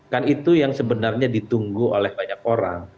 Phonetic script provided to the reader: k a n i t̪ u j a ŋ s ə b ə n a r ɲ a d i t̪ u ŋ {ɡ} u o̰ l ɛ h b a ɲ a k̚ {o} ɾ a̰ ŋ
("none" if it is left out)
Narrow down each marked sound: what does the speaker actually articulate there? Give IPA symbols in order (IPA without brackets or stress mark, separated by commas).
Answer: ɡ, o